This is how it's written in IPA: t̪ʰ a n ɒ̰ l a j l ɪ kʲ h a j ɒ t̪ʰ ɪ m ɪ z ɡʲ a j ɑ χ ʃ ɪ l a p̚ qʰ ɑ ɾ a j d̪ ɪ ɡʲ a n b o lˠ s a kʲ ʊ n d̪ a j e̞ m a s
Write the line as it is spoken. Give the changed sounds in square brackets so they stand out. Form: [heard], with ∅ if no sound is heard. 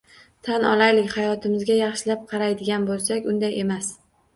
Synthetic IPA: t̪ʰ a n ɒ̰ l a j l ɪ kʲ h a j ɒ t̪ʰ ɪ m ɪ z ɡʲ a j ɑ χ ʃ ɪ l a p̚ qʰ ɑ ɾ a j d̪ ɪ ɡʲ a n b o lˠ s a kʲ ʊ n d̪ a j e̞ m a s